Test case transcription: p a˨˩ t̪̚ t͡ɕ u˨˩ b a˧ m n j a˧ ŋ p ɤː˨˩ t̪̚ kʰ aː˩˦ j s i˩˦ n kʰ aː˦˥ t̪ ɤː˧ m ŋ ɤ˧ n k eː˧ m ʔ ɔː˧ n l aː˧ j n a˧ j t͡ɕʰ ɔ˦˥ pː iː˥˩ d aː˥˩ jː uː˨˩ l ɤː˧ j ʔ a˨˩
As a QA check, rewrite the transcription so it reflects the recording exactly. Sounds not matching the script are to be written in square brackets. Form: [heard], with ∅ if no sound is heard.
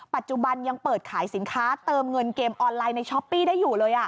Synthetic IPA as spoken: p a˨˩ t̪̚ t͡ɕ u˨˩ b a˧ [∅] n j a˧ ŋ p ɤː˨˩ t̪̚ kʰ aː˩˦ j s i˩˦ n kʰ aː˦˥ t̪ ɤː˧ m ŋ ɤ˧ n k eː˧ m ʔ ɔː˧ n l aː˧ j n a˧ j t͡ɕʰ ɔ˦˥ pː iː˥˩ d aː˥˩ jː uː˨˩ l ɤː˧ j ʔ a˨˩